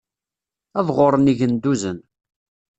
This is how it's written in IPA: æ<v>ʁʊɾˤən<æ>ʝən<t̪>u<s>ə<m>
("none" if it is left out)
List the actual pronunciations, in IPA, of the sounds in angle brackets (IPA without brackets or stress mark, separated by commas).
v, i, d̪, z, n